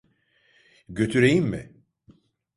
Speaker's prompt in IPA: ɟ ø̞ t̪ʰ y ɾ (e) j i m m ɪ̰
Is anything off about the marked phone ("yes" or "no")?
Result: no